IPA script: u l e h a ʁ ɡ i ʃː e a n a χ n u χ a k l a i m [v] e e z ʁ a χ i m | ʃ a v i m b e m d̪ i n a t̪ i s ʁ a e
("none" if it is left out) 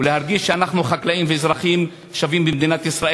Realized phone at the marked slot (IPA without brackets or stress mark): v